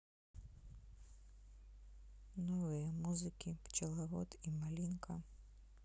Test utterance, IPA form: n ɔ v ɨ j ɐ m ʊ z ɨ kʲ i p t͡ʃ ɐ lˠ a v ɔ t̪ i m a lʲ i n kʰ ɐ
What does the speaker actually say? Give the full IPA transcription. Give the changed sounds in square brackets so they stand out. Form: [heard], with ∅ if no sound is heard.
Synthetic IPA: n ɔ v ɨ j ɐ m [u] z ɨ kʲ i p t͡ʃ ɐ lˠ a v ɔ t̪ i m a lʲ i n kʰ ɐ

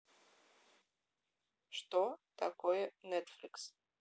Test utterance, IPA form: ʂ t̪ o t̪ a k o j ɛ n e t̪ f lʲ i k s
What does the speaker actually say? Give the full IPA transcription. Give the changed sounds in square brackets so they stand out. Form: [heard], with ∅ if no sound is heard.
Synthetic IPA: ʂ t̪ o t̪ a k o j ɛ n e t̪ f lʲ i k s

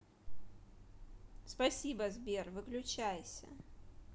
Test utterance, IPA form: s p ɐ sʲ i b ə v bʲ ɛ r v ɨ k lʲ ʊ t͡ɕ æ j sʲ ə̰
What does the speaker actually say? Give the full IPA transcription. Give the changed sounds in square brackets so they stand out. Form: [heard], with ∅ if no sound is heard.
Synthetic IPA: s p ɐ sʲ i b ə [z] bʲ [e] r v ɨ k lʲ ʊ t͡ɕ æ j sʲ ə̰

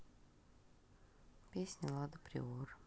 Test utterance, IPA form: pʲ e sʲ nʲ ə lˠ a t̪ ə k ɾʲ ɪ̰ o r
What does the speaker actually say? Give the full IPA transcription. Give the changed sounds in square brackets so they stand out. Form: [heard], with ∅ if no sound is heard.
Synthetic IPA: pʲ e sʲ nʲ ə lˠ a [d̪] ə [p] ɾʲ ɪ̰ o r

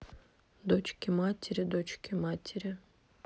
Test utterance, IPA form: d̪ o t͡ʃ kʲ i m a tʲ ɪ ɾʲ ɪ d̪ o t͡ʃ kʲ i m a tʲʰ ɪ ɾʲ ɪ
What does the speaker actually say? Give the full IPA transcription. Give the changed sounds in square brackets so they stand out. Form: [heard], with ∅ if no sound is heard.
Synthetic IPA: d̪ o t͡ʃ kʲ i m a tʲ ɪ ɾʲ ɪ d̪ o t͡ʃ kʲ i m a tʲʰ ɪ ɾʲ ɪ

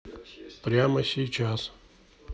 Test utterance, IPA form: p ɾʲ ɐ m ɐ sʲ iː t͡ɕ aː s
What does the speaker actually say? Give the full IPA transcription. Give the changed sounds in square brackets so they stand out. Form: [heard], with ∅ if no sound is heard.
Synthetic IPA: p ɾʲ [a] m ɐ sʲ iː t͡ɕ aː s

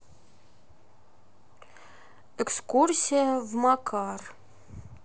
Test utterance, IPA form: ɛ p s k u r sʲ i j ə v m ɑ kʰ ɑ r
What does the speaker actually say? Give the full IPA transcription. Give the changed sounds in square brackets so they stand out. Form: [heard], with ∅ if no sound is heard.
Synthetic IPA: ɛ [k] s k u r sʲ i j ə v m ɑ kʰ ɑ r

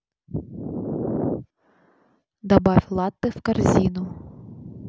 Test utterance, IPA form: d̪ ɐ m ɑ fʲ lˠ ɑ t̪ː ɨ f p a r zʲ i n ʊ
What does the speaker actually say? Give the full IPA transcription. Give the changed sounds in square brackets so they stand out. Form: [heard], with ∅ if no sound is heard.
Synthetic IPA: d̪ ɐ [b] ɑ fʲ lˠ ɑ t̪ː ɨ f [k] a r zʲ i n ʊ

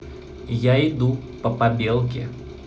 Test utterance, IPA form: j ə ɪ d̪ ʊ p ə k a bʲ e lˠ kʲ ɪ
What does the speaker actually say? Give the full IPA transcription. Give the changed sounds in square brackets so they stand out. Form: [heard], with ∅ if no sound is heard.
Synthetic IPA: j [a] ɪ d̪ [u] p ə [p] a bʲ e lˠ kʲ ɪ

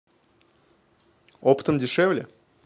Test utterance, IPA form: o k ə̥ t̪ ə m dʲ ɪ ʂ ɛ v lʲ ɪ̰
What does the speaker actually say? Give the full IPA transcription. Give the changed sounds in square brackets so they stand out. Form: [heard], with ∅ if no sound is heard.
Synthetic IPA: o [p] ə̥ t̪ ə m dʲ ɪ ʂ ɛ v lʲ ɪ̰

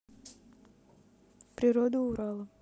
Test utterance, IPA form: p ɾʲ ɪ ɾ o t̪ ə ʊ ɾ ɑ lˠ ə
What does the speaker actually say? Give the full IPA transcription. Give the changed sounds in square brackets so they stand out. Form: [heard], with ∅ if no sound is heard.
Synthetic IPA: p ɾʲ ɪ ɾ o [d̪] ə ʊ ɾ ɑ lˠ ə

